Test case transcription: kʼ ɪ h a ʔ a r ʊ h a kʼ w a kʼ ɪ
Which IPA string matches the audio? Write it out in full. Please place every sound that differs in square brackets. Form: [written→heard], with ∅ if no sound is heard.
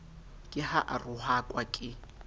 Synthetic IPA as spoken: kʼ ɪ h a ʔ a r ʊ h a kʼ w a kʼ ɪ